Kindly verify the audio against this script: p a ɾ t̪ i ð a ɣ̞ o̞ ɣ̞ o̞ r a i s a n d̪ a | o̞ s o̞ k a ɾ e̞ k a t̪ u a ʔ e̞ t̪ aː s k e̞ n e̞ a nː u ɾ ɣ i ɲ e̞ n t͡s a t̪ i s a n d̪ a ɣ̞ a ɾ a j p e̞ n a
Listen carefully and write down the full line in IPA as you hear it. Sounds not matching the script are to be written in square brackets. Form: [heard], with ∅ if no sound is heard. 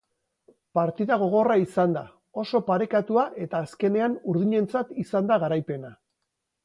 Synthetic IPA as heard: p a ɾ t̪ i ð a ɣ̞ o̞ ɣ̞ o̞ r a i s a n d̪ a | o̞ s o̞ [p] a ɾ e̞ k a t̪ u a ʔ e̞ t̪ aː s k e̞ n e̞ a [n] u ɾ [ð] i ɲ e̞ n t͡s a t̪ i s a n d̪ a ɣ̞ a ɾ a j p e̞ n a